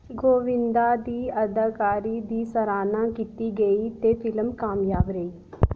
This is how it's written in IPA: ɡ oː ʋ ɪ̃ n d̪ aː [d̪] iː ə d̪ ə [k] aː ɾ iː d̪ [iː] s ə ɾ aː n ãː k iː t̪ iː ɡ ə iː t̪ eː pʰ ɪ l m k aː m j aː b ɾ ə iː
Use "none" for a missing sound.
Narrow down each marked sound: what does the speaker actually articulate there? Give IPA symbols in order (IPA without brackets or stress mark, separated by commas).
d̪, k, iː